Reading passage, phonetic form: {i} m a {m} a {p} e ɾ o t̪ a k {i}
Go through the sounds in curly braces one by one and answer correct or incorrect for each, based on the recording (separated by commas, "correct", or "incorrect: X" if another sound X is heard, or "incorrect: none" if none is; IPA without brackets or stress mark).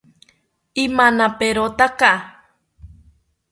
correct, incorrect: n, correct, incorrect: a